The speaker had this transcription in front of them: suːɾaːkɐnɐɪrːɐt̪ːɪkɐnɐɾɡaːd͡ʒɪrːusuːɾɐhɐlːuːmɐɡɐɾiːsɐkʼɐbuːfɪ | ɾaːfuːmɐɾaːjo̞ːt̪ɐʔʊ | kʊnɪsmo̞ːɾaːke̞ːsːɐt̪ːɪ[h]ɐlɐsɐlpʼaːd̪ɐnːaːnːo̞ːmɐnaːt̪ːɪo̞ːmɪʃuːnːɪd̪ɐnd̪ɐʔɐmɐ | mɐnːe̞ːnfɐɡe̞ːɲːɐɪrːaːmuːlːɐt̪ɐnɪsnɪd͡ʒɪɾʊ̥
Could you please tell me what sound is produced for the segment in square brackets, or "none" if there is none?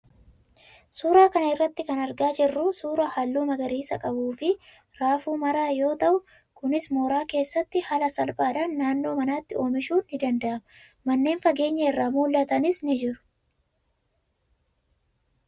h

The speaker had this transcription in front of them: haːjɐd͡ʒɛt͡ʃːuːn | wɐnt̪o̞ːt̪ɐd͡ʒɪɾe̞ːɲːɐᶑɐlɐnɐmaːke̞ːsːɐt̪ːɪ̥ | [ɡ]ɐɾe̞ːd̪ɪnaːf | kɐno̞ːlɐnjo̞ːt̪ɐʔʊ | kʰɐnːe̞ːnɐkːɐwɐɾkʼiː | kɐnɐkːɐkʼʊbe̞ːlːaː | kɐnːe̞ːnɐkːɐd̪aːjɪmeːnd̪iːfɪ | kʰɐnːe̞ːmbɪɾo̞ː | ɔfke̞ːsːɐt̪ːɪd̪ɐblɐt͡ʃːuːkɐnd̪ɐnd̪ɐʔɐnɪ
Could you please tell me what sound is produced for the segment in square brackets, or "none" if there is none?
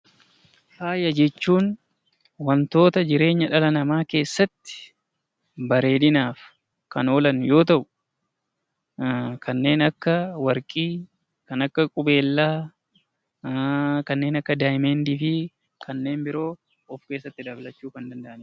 b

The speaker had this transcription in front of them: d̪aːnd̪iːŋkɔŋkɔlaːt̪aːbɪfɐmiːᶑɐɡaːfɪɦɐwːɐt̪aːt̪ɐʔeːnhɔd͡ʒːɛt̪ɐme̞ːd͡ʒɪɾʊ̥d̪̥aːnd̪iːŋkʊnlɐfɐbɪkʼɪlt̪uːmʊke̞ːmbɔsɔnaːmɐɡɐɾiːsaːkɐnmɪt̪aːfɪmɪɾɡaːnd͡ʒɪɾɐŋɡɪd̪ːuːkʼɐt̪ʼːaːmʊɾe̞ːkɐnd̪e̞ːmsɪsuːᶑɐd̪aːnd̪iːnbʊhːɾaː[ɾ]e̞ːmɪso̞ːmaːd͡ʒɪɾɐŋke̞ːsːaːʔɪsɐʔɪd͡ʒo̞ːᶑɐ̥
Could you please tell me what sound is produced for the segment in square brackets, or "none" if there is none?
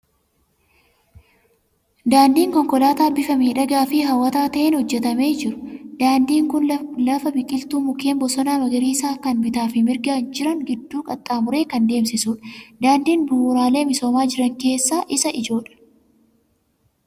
l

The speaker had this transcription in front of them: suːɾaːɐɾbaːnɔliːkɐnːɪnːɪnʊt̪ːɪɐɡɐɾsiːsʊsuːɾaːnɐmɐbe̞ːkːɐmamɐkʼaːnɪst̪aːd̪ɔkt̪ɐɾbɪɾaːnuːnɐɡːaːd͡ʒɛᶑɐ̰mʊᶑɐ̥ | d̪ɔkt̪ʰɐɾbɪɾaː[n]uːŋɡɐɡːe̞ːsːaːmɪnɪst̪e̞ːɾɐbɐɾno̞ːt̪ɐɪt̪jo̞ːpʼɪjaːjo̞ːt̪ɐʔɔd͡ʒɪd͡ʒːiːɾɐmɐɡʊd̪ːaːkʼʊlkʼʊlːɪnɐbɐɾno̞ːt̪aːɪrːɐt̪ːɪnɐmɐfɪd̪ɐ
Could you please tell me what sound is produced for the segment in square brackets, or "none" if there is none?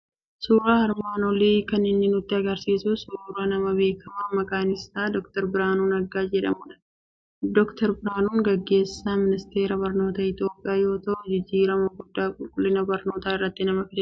n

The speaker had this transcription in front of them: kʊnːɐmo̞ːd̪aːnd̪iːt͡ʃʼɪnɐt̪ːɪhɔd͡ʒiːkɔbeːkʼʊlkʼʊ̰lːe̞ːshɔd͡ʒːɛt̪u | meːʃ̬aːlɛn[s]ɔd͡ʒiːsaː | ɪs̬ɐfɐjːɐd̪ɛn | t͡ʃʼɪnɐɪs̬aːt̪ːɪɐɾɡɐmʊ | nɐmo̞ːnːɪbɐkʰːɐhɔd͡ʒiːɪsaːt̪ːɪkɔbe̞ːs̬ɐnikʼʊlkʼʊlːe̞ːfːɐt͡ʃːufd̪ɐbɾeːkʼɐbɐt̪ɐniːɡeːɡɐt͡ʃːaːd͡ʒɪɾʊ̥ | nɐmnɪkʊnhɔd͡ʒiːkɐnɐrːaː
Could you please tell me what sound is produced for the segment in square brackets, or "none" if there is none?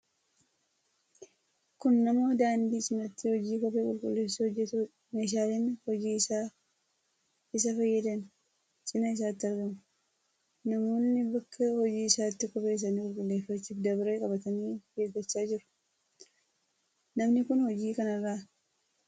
h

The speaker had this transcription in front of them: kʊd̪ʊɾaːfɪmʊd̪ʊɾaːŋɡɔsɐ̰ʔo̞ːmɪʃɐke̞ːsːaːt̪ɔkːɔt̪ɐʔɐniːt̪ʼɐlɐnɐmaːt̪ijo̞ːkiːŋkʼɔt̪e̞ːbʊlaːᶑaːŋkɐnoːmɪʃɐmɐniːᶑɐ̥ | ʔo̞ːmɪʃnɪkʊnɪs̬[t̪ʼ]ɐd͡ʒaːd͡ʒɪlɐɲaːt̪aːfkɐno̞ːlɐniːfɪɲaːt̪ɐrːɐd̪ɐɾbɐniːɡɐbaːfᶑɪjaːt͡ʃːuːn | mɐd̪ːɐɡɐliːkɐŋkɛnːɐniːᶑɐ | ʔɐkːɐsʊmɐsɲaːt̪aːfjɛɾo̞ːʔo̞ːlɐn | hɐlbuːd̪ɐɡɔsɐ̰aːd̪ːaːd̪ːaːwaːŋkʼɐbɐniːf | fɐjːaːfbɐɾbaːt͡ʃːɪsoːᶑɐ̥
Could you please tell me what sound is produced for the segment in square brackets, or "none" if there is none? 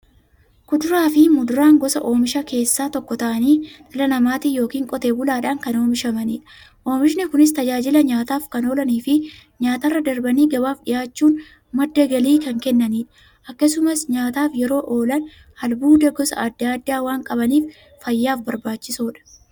t̪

